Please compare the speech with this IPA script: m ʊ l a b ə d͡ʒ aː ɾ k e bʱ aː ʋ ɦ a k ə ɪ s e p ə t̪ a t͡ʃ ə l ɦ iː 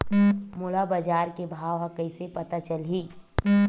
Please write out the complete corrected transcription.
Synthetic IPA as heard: m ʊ l a b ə d͡ʒ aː ɾ k e bʱ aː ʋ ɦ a k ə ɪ s e p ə t̪ a t͡ʃ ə l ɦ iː